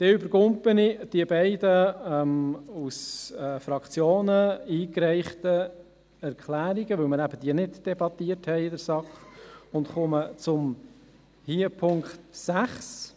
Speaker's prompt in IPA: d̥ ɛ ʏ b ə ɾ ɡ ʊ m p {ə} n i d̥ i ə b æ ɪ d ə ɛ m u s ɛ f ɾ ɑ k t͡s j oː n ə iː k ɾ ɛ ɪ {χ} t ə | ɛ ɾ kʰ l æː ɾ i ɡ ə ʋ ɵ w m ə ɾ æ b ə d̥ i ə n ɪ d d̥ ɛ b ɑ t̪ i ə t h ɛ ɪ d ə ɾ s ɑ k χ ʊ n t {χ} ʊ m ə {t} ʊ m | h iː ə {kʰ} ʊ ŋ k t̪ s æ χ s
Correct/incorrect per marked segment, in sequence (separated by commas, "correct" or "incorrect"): correct, correct, correct, incorrect, incorrect